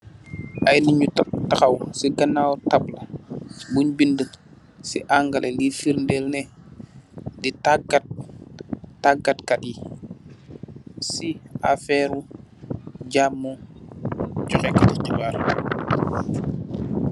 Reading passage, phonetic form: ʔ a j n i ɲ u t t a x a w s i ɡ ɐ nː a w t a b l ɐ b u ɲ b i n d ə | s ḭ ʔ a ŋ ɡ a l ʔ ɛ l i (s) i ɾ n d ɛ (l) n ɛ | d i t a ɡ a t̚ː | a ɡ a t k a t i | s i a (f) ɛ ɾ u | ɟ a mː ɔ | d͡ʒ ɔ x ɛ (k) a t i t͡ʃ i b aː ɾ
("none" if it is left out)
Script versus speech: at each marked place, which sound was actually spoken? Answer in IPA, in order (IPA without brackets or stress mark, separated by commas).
f, l, f, k